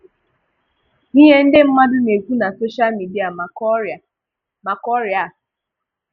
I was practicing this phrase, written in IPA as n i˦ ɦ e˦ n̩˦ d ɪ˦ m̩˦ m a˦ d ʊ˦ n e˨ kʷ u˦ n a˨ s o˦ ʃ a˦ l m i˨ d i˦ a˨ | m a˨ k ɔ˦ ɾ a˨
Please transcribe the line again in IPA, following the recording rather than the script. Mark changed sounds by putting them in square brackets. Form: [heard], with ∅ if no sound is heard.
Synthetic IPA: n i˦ ɦ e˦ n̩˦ d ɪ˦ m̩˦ m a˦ d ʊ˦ n e˨ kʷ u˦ n a˨ s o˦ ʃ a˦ l m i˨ d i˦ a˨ | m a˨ k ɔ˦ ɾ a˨